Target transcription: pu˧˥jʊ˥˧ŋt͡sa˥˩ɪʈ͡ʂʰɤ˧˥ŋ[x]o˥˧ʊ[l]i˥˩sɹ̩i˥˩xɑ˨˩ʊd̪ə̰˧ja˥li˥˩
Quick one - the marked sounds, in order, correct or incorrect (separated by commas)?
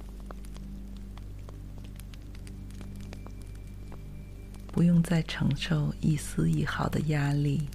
incorrect, incorrect